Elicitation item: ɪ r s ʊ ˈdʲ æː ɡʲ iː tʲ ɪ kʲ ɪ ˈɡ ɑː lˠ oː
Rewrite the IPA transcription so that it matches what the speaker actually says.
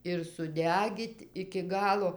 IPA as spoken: ɪ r s ʊ ˈdʲ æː ɡʲ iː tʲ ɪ kʲ ɪ ˈɡ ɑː lˠ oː